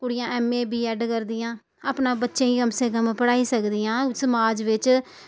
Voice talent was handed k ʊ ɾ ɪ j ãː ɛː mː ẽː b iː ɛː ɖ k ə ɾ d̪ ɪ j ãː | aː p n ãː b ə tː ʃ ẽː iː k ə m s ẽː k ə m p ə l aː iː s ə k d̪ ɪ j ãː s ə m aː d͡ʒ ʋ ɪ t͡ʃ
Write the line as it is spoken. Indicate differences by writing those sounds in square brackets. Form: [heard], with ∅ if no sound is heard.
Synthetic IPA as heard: k ʊ [ɽ] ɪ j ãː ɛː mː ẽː b iː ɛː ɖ k ə ɾ d̪ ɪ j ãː | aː p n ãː b ə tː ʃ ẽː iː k ə m s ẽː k ə m p ə [ɽ] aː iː s ə k d̪ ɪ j ãː s ə m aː d͡ʒ ʋ ɪ t͡ʃ